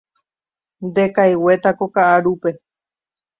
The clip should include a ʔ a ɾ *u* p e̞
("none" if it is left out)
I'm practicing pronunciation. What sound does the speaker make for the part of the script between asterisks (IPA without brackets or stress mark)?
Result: u